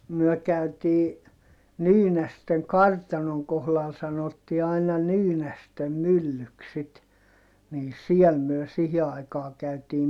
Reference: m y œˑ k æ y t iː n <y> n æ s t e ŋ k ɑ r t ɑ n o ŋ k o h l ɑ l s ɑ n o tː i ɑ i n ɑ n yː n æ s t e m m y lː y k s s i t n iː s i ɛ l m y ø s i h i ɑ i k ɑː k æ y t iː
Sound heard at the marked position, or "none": yː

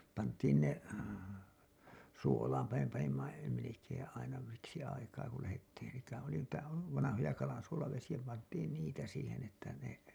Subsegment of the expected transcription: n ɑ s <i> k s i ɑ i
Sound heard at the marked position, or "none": i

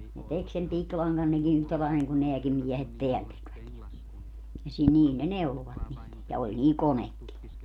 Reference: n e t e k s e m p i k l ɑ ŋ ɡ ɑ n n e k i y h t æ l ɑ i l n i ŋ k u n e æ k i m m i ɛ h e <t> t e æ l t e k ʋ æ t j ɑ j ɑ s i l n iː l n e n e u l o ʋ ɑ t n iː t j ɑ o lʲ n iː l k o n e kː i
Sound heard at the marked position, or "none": t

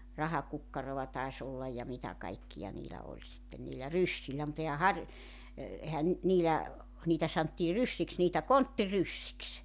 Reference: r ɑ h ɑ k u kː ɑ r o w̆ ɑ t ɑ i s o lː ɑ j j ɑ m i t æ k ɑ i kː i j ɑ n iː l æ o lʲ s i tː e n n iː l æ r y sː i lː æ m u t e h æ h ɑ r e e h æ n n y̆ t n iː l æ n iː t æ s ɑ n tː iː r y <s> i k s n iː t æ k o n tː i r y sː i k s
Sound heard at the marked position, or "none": sː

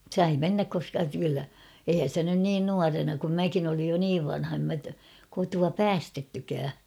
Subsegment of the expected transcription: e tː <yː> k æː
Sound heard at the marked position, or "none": y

